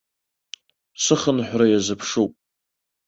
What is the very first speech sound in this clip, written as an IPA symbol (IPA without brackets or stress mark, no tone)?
s